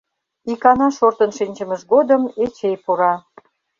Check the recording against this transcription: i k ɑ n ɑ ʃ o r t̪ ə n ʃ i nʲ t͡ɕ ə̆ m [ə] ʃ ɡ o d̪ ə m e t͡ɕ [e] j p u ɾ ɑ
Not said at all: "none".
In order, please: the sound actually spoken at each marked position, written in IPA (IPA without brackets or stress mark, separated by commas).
ə, e